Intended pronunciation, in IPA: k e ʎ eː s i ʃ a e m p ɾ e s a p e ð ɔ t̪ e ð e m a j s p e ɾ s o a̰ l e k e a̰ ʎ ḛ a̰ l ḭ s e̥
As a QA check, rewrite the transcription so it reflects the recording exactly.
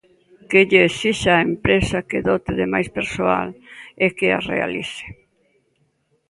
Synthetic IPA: k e ʎ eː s i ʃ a e m p ɾ e s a k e ð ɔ t̪ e ð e m a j s p e ɾ s o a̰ l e k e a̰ r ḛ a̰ l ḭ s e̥

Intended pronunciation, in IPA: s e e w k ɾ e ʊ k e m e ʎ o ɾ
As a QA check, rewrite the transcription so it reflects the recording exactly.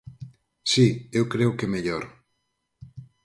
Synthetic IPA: s i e w k ɾ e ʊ k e m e ʎ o ɾ

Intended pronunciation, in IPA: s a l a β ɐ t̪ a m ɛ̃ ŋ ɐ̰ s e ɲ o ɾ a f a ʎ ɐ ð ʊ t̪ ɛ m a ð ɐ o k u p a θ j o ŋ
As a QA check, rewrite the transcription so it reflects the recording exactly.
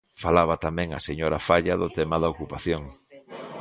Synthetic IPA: f a l a β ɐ t̪ a m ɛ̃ ŋ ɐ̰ s e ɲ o ɾ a f a ʎ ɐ ð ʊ t̪ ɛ m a ð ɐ o k u p a θ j o ŋ

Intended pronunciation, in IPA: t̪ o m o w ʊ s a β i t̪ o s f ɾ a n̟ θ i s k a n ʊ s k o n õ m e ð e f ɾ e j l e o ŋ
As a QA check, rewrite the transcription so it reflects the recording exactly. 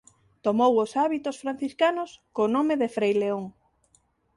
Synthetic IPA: t̪ o m o w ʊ s a β i t̪ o s f ɾ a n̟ θ i s k a n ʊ s k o n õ m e ð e f ɾ e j l e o ŋ

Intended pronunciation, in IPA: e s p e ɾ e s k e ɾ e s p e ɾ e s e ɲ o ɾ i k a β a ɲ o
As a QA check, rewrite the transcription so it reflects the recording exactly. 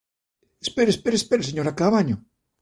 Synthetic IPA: e s p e ɾ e s p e ɾ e s p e ɾ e s e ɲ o ɾ a k a β a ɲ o

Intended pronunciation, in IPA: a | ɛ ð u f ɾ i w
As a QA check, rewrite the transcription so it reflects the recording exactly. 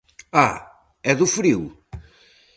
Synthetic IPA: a | ɛ ð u f ɾ i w

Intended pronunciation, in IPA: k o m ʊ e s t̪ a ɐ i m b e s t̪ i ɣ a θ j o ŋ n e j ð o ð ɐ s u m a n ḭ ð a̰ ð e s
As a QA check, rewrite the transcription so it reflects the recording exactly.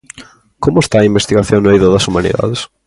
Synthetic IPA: k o m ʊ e s t̪ a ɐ i m b e s t̪ i ɣ a θ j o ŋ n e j ð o ð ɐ s u m a n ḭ ð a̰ ð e s

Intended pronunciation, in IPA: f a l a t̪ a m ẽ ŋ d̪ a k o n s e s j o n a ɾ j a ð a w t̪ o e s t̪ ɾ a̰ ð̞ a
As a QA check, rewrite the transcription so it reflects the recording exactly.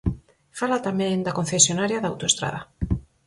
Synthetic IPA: f a l a t̪ a m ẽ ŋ d̪ a k o n θ e s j o n a ɾ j a ð a w t̪ o e s t̪ ɾ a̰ ð̞ a

